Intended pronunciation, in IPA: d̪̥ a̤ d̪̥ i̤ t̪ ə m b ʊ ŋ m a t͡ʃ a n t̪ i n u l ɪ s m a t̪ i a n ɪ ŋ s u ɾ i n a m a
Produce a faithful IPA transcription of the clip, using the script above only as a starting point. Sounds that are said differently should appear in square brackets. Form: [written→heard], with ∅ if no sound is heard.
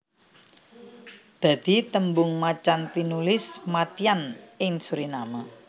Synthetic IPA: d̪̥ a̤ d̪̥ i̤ t̪ ə m b ʊ ŋ m a t͡ʃ a n t̪ i n u l ɪ s m a t̪ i a n ɪ ŋ s u ɾ i n a m a